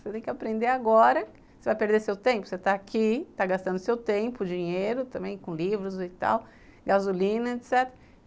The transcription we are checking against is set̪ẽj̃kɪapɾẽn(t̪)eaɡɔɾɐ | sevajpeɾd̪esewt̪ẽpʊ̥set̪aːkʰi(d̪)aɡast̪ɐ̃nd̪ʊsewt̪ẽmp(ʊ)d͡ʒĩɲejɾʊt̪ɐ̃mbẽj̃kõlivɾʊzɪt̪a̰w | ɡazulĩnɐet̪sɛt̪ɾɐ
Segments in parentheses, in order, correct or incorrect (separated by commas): incorrect, incorrect, correct